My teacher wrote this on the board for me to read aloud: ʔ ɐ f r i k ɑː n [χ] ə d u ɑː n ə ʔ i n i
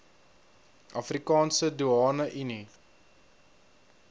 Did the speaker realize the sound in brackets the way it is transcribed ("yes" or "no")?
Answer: no